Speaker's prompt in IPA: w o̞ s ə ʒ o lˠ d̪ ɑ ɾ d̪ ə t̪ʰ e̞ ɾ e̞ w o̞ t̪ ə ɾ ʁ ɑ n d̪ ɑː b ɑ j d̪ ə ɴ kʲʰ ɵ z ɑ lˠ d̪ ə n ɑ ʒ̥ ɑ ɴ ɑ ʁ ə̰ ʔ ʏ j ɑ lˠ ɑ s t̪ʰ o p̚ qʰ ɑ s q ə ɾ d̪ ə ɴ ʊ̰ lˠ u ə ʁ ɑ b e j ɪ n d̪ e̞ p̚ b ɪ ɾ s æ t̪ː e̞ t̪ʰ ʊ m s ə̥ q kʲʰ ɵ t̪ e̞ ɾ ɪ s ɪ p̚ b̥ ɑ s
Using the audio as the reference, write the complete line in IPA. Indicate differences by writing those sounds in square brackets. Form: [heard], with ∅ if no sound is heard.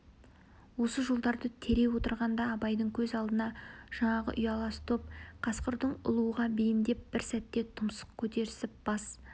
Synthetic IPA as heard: w o̞ s ə ʒ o lˠ d̪ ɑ ɾ d̪ ə t̪ʰ e̞ ɾ e̞ w o̞ t̪ ə ɾ ʁ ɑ n d̪ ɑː b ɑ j d̪ ə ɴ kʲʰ ɵ z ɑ lˠ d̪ ə n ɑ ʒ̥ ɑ ɴ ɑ ʁ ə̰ ʔ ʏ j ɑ lˠ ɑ s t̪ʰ o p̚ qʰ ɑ s q ə ɾ d̪ ə ɴ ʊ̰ lˠ u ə ʁ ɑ b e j ɪ n d̪ e̞ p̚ b ɪ ɾ s æ t̪ː e̞ t̪ʰ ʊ m s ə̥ q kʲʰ ɵ t̪ e̞ ɾ ɪ s ɪ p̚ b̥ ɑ s